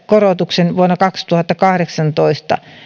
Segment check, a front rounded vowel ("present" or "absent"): absent